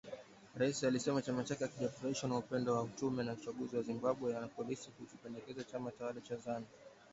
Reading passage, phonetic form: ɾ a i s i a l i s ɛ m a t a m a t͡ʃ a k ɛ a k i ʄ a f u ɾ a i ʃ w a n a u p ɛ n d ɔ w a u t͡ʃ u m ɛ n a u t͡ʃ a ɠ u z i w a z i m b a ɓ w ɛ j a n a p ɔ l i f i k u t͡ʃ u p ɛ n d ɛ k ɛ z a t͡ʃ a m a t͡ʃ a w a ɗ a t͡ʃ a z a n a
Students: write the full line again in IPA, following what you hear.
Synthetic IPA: ɾ a i s i a l i s ɛ m a t͡ʃ a m a t͡ʃ a k ɛ a k i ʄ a f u ɾ a i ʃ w a n a u p ɛ n d ɔ w a u t͡ʃ u m ɛ n a u t͡ʃ a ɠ u z i w a z i m b a ɓ w ɛ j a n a p ɔ l i s i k u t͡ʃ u p ɛ n d ɛ k ɛ z a t͡ʃ a m a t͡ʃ a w a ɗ a t͡ʃ a z a n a